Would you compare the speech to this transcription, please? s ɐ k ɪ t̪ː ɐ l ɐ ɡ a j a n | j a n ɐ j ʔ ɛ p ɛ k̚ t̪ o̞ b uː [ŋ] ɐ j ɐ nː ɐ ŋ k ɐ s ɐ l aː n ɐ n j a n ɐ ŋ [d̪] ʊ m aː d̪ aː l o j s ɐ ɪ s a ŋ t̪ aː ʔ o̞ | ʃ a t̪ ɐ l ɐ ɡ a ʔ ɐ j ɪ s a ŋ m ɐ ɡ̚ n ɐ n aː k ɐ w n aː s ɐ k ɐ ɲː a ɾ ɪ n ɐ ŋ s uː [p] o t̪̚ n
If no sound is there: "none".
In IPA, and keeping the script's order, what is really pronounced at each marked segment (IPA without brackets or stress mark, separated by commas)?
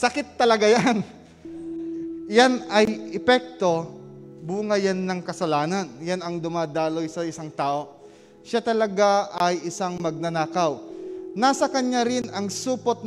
ŋ, d̪, p